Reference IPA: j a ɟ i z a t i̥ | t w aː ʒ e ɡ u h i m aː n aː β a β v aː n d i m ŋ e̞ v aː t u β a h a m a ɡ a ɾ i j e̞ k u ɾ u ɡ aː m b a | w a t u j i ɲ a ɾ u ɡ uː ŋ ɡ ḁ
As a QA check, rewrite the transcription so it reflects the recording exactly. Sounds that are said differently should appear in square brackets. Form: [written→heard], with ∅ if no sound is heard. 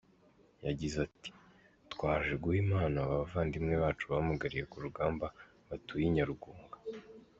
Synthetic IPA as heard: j a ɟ i z a t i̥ | t w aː ʒ e ɡ u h i m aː n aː β a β v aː n d i m ŋ e̞ [v→β] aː [t→t͡ʃ] u β a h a m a ɡ a ɾ i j e̞ k u ɾ u ɡ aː m b a | [w→β] a t u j i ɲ a ɾ u ɡ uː ŋ ɡ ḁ

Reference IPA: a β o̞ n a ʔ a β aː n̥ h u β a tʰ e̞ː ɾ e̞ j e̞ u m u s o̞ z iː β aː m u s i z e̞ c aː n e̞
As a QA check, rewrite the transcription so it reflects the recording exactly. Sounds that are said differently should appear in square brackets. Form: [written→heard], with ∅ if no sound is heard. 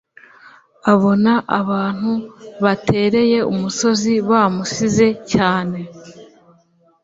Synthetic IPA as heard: a β o̞ n a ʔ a β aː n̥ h u β a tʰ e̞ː ɾ e̞ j e̞ u m u s o̞ z [iː→i] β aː m u s i z e̞ c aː n e̞

